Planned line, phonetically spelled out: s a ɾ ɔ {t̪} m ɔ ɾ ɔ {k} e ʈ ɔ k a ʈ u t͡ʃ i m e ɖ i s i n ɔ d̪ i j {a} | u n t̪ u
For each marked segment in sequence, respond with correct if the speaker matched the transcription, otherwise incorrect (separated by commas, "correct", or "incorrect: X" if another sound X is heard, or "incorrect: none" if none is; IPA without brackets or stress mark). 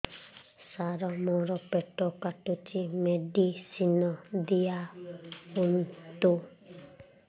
incorrect: none, incorrect: p, correct